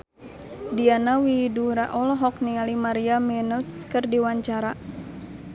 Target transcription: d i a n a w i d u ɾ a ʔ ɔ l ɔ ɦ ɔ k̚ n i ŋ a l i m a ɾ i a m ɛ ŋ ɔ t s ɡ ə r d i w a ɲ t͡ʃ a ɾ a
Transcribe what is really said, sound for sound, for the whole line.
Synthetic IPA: d i a n a w i d u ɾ a ʔ ɔ l ɔ ɦ ɔ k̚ n i ŋ a l i m a ɾ i a m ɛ n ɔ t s k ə r d i w a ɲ t͡ʃ a ɾ a